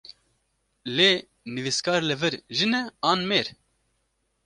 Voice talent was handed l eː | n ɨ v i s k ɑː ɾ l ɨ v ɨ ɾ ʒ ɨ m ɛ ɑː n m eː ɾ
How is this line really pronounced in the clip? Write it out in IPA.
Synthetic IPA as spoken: l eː | n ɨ v i s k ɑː ɾ l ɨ v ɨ ɾ ʒ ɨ n ɛ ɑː n m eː ɾ